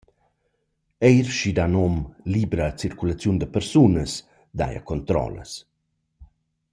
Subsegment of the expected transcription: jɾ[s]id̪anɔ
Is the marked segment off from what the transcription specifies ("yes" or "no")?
yes